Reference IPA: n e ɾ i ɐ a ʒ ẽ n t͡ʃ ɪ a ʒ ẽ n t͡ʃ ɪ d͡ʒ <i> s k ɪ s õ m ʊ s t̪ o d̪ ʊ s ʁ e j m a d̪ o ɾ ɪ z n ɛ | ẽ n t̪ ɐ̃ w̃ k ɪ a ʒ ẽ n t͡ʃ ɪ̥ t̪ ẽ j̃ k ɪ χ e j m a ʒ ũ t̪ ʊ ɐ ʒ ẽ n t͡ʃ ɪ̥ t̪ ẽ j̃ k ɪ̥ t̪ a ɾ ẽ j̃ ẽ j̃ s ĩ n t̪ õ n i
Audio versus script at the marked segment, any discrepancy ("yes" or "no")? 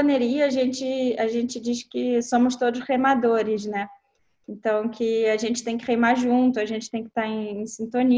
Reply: no